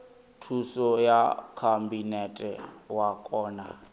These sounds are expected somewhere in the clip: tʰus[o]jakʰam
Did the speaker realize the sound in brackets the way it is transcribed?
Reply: no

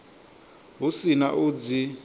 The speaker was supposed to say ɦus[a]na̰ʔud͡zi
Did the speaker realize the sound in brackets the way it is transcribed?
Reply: no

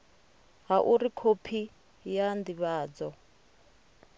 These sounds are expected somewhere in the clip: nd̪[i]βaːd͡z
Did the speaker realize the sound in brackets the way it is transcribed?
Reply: yes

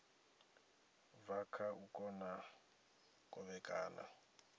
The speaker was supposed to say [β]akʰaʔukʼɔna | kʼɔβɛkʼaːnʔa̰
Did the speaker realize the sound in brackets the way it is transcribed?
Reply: no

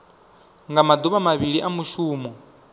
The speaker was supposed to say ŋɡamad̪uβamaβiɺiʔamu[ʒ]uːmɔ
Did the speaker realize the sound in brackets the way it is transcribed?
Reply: no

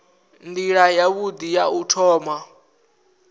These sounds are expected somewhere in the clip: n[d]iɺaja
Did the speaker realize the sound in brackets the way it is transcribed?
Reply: yes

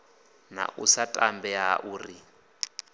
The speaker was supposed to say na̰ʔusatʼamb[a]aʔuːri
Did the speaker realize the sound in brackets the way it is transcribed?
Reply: no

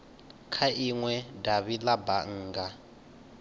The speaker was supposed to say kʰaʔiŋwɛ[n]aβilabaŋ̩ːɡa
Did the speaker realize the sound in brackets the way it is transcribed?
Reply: no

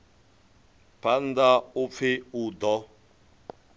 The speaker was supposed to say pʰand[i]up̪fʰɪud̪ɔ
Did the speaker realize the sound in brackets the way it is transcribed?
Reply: no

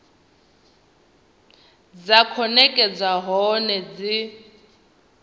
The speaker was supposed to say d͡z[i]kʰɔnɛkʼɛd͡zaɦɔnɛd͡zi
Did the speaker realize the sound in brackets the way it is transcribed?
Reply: no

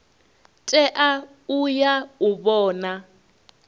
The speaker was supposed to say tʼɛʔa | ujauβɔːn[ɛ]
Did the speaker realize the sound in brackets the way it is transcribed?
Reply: no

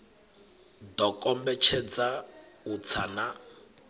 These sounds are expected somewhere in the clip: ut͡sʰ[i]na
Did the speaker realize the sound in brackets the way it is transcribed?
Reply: no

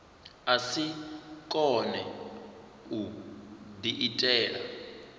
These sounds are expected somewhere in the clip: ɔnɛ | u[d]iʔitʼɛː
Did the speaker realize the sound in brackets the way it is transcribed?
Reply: yes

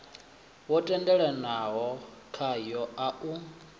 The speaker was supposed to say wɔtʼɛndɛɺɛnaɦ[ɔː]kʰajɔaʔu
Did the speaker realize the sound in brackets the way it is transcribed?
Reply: no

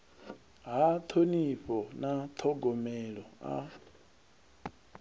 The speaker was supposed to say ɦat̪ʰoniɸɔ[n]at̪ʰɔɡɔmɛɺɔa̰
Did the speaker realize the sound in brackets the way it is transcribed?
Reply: yes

